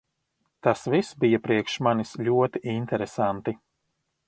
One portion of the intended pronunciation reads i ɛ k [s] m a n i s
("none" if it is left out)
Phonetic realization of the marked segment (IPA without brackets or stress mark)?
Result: ʃ